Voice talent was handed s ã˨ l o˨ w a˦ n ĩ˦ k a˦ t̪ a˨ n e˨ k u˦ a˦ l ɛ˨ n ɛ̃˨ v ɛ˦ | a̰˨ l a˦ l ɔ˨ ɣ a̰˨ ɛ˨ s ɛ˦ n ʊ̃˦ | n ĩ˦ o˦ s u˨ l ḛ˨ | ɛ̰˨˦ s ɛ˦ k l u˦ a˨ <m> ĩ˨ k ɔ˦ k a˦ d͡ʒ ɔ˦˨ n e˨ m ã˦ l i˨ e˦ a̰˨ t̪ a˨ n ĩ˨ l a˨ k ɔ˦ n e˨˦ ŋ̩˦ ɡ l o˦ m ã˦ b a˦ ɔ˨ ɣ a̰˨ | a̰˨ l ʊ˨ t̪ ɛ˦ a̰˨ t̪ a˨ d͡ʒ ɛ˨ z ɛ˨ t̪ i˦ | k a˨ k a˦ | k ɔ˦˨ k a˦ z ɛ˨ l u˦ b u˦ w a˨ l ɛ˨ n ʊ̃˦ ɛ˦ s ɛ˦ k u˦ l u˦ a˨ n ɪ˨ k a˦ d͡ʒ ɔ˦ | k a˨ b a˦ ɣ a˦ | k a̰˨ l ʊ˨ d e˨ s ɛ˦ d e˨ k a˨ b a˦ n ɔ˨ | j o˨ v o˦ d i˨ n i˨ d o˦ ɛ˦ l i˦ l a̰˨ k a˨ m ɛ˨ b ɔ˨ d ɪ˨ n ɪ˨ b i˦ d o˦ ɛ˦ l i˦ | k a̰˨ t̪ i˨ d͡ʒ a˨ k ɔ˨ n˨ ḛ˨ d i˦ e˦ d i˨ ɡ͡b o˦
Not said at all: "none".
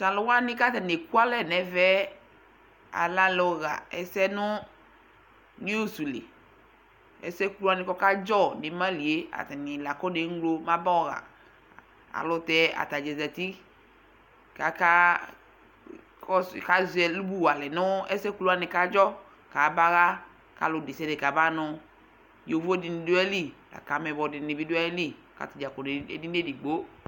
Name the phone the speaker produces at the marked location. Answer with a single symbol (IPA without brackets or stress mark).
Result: n